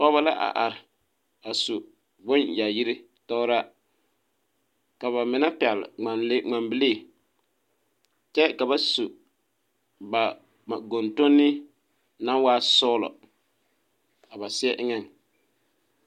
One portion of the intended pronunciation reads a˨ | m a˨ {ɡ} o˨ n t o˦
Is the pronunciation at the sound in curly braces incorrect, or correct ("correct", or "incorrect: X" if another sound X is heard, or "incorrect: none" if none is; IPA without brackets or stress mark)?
correct